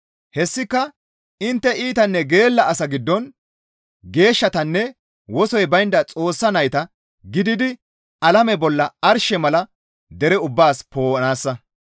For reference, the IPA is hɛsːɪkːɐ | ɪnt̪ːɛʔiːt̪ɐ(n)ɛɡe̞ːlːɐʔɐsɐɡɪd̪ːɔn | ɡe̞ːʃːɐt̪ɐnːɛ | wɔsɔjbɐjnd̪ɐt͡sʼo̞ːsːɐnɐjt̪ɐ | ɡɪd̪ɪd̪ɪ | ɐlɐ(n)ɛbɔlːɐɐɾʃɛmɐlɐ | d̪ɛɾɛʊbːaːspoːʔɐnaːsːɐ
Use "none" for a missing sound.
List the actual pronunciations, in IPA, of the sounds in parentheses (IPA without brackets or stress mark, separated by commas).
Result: nː, m